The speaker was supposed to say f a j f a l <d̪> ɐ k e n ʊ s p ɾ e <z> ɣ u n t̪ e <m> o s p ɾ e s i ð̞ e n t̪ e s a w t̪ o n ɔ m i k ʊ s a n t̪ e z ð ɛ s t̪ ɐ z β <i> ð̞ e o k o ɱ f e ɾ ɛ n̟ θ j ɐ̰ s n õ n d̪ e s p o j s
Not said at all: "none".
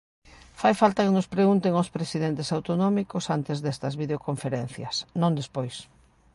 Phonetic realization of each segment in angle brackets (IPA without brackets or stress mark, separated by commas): t̪, none, ŋ, i